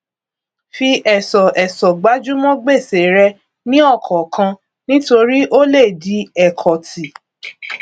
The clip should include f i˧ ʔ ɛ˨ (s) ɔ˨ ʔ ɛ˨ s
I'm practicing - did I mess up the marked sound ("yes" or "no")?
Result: no